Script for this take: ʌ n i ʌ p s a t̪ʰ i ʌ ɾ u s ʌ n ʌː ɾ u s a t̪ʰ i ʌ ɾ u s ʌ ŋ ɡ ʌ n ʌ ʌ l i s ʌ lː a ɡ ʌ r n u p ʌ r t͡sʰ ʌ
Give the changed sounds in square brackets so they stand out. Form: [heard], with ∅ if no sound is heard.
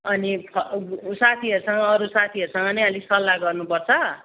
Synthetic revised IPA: ʌ n i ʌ [∅] s a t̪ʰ i ʌ ɾ u s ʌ [ŋ] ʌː ɾ u s a t̪ʰ i ʌ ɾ u s ʌ ŋ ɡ ʌ n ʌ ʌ l i s ʌ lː a ɡ ʌ r n u p ʌ r t͡sʰ ʌ